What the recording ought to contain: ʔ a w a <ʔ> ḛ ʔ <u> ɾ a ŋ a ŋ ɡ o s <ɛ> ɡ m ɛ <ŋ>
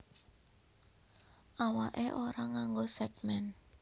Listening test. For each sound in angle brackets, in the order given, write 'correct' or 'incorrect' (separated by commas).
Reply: correct, incorrect, correct, incorrect